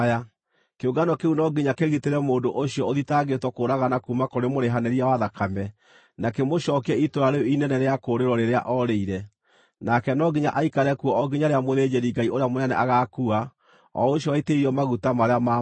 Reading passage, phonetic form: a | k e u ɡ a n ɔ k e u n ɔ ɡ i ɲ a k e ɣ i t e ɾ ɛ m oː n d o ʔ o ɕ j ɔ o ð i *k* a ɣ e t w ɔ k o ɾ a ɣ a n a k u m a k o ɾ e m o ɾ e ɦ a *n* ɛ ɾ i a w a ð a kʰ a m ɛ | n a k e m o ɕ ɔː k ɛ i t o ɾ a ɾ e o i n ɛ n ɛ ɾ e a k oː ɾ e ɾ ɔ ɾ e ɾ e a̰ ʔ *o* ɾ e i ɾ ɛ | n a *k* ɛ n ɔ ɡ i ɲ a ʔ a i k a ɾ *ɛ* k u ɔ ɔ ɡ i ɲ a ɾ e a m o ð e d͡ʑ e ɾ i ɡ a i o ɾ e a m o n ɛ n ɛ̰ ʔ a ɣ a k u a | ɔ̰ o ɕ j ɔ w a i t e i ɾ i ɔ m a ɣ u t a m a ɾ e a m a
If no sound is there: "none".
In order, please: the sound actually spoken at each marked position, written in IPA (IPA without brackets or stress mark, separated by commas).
t, n, ɔ, k, ɛ